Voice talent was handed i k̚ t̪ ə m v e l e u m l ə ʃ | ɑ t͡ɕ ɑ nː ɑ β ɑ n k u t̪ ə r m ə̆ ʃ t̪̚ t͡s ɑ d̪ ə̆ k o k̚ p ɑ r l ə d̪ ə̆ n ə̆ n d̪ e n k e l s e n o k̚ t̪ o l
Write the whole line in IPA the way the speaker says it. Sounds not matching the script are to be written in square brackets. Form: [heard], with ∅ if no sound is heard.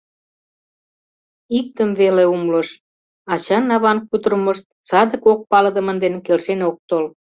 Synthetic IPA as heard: i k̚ t̪ ə m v e l e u m l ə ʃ | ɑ t͡ɕ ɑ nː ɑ β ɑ n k u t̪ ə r m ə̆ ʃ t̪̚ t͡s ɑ d̪ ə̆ k o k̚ p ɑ [∅] l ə d̪ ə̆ [m] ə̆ n d̪ e n k e l [ʃ] e n o k̚ t̪ o l